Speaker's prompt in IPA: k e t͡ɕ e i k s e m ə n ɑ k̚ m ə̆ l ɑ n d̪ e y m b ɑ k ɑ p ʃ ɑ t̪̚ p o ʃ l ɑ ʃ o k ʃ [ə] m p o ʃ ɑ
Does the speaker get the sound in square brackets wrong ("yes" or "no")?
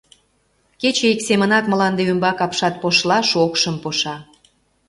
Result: no